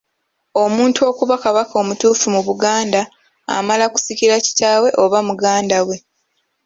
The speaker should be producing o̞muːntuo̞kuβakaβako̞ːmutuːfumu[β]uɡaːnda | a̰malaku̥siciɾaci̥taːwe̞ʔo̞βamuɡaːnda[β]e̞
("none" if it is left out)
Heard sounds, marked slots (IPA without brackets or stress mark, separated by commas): β, w